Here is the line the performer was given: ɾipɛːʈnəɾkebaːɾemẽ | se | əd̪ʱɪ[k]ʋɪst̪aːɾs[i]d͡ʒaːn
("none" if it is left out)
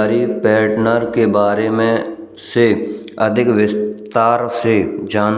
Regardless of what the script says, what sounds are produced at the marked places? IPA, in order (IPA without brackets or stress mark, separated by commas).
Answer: k, e